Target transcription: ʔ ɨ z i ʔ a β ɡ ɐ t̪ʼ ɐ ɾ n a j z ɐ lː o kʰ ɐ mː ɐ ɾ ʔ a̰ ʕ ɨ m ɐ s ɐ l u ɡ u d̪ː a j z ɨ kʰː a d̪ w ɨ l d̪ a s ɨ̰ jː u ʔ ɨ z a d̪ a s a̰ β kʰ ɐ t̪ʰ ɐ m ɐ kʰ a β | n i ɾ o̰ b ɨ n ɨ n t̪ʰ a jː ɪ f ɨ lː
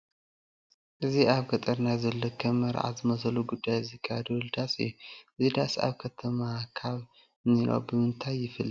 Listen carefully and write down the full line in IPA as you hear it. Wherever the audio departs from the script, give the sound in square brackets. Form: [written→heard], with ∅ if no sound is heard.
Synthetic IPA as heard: ʔ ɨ z i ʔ a β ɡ ɐ t̪ʼ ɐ ɾ n a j z ɐ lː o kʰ ɐ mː ɐ ɾ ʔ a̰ [ʕ→z] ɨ m ɐ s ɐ l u ɡ u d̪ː a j z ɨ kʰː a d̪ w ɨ l d̪ a s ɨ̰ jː u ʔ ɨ z [a→i] d̪ a s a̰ β kʰ ɐ t̪ʰ ɐ m [ɐ→a] kʰ a β | n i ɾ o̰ b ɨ [n→m] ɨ n t̪ʰ a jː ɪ f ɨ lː

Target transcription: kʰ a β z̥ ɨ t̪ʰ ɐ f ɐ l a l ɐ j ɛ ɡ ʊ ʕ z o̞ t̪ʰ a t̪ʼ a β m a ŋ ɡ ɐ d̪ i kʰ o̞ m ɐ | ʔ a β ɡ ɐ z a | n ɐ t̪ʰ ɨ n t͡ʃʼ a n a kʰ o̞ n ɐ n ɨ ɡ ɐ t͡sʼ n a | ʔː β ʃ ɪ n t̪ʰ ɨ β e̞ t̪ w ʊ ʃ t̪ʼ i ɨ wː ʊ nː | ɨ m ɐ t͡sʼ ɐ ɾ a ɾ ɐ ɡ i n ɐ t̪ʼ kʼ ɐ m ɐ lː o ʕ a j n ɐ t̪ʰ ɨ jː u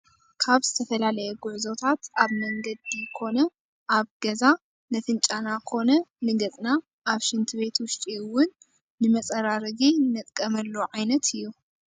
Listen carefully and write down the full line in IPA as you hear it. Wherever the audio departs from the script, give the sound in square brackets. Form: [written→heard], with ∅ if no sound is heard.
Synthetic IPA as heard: kʰ a β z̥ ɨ t̪ʰ ɐ f ɐ l a l ɐ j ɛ ɡ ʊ ʕ z o̞ t̪ʰ a [t̪ʼ→t̪] a β m [a→ɐ] ŋ ɡ ɐ d̪ i kʰ o̞ [m→n] ɐ | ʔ a β ɡ ɐ z a | n ɐ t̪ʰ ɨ n t͡ʃʼ a n a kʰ o̞ n ɐ n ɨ ɡ ɐ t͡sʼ n a | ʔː β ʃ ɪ n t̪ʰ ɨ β e̞ t̪ w ʊ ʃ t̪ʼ i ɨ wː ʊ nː | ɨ m ɐ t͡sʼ ɐ ɾ a ɾ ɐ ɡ i n ɐ t̪ʼ kʼ ɐ m ɐ lː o ʕ a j n ɐ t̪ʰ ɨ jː u

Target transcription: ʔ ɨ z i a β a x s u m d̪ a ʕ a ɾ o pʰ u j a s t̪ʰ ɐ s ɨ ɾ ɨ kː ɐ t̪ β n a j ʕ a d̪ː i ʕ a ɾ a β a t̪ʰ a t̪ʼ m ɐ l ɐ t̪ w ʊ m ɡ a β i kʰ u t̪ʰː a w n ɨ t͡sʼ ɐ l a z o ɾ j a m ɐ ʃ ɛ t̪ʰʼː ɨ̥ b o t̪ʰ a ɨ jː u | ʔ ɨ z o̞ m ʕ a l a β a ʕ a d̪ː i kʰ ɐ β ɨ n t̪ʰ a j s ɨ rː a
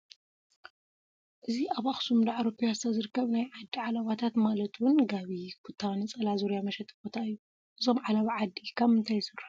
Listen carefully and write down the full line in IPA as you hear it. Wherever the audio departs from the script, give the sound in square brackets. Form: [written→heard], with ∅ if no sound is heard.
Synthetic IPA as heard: ʔ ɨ z i a β a x s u m d̪ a ʕ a ɾ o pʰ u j a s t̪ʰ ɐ [s→z] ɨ ɾ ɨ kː ɐ [t̪→∅] β n a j ʕ a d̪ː i ʕ a [ɾ→l] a β a t̪ʰ a [t̪ʼ→t̪] m [ɐ→a] l ɐ t̪ w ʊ [m→n] ɡ a β i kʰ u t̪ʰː a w n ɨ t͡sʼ ɐ l a z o ɾ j a m ɐ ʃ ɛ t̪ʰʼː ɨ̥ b o t̪ʰ a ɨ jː u | ʔ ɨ z o̞ m ʕ a l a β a ʕ a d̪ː i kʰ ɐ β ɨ n t̪ʰ a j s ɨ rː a

